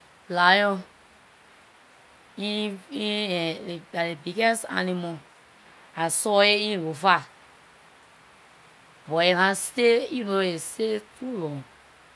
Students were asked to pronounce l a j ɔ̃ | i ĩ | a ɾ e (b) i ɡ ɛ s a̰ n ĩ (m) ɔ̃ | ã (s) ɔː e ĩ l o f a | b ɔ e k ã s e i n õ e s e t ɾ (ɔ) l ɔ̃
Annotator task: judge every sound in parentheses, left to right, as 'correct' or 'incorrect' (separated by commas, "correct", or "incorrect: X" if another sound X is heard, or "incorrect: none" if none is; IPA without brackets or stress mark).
correct, correct, correct, incorrect: u